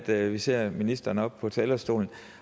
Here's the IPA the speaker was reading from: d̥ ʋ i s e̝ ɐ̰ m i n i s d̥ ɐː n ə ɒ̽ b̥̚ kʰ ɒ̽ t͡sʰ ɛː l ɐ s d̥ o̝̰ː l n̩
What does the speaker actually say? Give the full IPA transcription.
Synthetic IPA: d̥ ʋ i s e̝ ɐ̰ m i n i s d̥ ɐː n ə ɒ̽ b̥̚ pʰ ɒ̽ t͡sʰ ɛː l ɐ s d̥ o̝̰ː l n̩

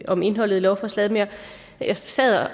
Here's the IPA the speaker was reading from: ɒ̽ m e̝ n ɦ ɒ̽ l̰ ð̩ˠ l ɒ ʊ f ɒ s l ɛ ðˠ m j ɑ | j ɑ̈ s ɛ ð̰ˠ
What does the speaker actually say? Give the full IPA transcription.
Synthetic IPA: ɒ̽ m e̝ n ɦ ɒ̽ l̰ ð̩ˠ l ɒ ʊ f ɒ s l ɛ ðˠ m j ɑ | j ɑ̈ s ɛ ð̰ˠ

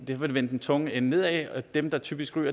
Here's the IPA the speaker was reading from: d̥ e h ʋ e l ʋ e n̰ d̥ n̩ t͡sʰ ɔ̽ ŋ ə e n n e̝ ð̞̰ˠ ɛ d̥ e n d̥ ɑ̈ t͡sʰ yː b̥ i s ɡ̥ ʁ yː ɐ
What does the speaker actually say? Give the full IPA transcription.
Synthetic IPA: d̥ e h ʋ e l ʋ e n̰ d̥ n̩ t͡sʰ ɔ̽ ŋ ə e n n e̝ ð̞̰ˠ ɛ d̥ e m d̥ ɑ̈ t͡sʰ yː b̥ i s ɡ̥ ʁ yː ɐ

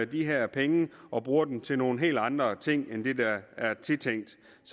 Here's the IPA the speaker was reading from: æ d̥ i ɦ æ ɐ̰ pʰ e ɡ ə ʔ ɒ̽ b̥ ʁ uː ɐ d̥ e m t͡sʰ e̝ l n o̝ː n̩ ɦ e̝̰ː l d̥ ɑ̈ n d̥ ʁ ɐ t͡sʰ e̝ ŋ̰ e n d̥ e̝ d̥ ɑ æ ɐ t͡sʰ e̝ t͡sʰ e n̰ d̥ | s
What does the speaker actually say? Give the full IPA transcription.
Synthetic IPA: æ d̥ i ɦ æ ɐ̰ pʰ e ŋ ə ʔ ɒ̽ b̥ ʁ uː ɐ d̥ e m t͡sʰ e̝ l n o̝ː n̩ ɦ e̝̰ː l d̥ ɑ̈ n d̥ ʁ ɐ t͡sʰ e̝ ŋ̰ e n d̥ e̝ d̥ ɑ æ ɐ t͡sʰ e̝ t͡sʰ e ŋ̰ d̥ | s

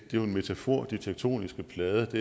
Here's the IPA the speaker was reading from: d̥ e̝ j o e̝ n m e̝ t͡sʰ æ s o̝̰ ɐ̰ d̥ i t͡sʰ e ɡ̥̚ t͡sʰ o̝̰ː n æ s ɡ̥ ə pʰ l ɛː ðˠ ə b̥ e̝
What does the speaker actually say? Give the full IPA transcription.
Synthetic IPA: d̥ e̝ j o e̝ n m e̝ t͡sʰ æ f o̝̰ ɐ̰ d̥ i t͡sʰ e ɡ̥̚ t͡sʰ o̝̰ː n i s ɡ̥ ə pʰ l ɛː ðˠ ə d̥ e̝

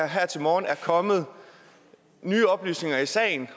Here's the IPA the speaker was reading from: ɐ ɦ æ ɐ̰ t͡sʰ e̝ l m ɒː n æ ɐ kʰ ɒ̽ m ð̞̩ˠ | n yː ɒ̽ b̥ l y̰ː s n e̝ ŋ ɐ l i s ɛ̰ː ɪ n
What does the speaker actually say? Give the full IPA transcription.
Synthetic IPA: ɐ ɦ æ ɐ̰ t͡sʰ e̝ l m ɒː n æ ɐ kʰ ɒ̽ m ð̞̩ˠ | n yː ɒ̽ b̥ l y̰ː s n e̝ ŋ ɐ i s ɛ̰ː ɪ n

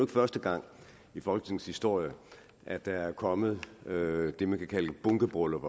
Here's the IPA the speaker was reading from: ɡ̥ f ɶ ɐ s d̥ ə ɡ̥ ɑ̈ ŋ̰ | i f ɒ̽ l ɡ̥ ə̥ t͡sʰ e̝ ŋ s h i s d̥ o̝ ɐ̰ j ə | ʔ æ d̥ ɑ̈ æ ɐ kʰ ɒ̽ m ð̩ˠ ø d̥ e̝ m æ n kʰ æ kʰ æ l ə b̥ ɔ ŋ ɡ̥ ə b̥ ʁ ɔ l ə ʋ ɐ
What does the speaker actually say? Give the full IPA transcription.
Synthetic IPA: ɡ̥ f ɶ ɐ s d̥ ə ɡ̥ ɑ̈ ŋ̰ | i f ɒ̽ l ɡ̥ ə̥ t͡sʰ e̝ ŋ s h i s d̥ o̝ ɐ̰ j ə | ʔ æ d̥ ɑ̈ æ ɐ kʰ ɒ̽ m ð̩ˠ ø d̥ e̝ m æ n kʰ æ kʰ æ l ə b̥ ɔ ŋ ɡ̥ ə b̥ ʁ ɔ l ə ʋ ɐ

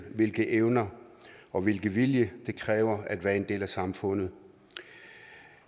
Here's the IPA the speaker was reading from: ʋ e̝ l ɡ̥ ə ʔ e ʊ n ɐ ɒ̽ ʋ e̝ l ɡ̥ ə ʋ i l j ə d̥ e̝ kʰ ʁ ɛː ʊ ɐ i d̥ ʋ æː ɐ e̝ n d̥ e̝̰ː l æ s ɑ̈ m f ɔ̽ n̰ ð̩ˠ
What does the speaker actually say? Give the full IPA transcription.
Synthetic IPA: ʋ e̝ l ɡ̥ ə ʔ e ʊ n ɐ ɒ̽ ʋ e̝ l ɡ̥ ə ʋ i l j ə d̥ e̝ kʰ ʁ ɛː ʊ ɐ æ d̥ ʋ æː ɐ e̝ n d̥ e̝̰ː l æ s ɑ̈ m f ɔ̽ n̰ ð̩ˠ

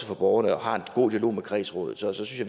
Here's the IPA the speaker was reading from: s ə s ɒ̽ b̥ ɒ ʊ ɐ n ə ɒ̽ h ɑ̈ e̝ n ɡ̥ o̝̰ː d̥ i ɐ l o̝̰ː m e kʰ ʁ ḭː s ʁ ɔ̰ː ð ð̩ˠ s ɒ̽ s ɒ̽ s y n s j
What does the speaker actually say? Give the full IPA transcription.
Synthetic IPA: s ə f ɒ̽ b̥ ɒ ʊ ɐ n ə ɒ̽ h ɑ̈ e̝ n ɡ̥ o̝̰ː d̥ i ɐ l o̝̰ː m e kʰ ʁ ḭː s ʁ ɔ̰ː ð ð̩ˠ s ɒ̽ s ɒ̽ s y n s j

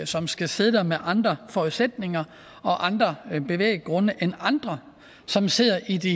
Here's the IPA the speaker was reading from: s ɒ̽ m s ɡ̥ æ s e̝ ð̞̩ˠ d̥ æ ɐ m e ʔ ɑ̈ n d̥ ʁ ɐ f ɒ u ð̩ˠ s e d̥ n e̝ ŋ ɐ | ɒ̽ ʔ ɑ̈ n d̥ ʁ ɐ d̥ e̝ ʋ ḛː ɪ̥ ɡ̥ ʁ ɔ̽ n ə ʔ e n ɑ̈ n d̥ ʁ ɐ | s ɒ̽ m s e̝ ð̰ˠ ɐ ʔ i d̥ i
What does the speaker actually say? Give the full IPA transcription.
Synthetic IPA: s ɒ̽ m s ɡ̥ æ s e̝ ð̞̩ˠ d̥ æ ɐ m e ʔ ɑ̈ n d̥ ʁ ɐ f ɒ u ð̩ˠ s e d̥ n e̝ ŋ ɐ | ɒ̽ ʔ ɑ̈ n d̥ ʁ ɐ b̥ e̝ ʋ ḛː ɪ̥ ɡ̥ ʁ ɔ̽ n ə ʔ e n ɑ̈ n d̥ ʁ ɐ | s ɒ̽ m s e̝ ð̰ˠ ɐ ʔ i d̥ i

